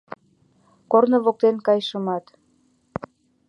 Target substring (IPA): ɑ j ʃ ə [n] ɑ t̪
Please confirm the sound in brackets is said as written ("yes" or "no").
no